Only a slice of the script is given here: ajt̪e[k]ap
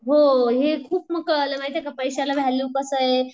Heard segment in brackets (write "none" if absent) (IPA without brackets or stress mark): k